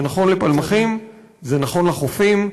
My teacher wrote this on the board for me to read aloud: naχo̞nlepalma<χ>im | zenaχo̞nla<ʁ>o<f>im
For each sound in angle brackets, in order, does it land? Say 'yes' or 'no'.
yes, no, yes

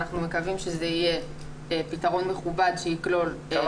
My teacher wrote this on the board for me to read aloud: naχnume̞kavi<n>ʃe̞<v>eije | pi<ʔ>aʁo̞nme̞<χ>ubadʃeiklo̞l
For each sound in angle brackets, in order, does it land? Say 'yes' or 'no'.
no, no, no, yes

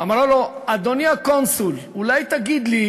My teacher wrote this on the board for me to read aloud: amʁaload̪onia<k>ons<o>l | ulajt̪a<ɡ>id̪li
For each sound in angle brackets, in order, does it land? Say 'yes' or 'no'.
yes, no, yes

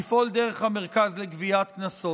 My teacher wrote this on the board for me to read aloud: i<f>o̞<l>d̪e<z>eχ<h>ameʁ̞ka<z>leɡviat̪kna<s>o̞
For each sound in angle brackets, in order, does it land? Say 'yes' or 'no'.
yes, yes, no, yes, yes, yes

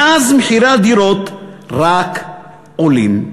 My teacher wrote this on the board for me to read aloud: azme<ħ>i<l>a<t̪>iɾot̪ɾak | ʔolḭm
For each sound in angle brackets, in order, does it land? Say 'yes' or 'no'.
yes, no, no

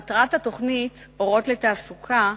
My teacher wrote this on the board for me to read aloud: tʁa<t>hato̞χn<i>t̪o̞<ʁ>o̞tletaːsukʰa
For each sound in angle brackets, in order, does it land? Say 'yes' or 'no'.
yes, yes, yes

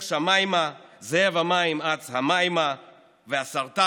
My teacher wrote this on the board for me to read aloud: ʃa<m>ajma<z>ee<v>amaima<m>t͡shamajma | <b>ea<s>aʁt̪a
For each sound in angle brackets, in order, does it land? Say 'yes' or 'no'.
yes, yes, yes, no, no, yes

